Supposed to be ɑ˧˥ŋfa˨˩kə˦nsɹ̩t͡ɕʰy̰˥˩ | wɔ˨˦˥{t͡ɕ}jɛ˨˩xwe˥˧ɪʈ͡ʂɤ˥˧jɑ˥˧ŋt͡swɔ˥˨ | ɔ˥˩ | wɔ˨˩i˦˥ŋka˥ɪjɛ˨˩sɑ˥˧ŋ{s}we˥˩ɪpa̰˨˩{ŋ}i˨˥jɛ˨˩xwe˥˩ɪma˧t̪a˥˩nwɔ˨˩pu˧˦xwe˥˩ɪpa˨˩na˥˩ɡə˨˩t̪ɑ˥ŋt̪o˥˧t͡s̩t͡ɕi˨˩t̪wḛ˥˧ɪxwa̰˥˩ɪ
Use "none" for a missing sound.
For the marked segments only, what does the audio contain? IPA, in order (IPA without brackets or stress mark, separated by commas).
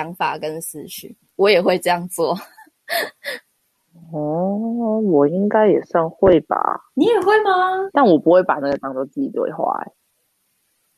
none, x, n